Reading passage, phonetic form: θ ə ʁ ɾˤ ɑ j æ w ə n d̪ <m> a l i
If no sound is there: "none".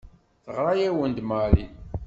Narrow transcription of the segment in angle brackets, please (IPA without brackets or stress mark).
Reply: m